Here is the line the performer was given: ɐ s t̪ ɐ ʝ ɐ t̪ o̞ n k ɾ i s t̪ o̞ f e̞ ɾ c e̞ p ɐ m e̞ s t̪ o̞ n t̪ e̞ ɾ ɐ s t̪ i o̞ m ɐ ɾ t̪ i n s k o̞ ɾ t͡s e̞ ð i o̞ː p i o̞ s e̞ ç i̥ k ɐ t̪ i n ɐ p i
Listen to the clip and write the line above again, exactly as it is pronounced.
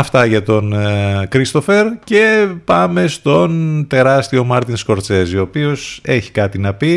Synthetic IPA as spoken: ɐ f t̪ ɐ ʝ ɐ t̪ o̞ n k ɾ i s t̪ o̞ f e̞ ɾ c e̞ p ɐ m e̞ s t̪ o̞ n t̪ e̞ ɾ ɐ s t̪ i o̞ m ɐ ɾ t̪ i n s k o̞ ɾ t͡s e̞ z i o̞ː p i o̞ s e̞ ç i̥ k ɐ t̪ i n ɐ p i